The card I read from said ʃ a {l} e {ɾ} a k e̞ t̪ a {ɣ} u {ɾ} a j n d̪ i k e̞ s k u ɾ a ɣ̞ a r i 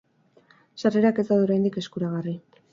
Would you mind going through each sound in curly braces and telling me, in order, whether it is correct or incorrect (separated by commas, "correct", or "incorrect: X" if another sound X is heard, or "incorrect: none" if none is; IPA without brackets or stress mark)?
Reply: incorrect: r, correct, incorrect: ð, correct